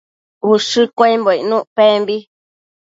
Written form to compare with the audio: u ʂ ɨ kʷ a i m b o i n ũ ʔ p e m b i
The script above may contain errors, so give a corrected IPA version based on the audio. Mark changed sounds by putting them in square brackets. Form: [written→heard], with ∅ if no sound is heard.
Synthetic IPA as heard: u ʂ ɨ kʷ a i m b o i n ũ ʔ p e m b i